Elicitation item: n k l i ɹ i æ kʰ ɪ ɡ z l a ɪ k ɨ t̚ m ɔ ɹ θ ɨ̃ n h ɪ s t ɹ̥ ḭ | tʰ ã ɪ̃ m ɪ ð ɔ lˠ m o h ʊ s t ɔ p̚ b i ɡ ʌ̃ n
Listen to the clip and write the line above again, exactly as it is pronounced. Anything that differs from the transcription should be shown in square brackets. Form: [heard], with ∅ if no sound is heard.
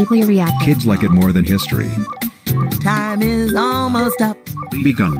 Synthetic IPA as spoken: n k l i ɹ i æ kʰ ɪ [d] z l a ɪ k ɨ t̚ m ɔ ɹ [ð] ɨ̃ n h ɪ s t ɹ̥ ḭ | tʰ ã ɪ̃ m ɪ [z] ɔ lˠ m o [∅] ʊ s t [ʌ] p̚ b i ɡ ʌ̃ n